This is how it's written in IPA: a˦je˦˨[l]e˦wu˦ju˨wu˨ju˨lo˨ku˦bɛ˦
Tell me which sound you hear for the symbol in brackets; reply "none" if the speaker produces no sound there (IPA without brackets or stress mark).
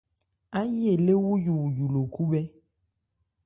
l